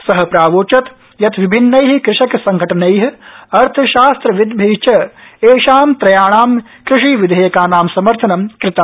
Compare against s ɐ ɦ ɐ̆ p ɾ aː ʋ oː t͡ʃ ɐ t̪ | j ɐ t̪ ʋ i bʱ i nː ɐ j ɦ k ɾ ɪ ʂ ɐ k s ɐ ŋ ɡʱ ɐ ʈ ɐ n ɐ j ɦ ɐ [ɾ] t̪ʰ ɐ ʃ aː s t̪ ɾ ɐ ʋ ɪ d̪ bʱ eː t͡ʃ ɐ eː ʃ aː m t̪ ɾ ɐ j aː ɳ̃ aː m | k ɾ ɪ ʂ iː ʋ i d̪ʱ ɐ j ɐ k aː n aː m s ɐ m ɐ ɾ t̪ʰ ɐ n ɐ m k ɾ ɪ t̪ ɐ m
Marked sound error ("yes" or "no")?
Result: no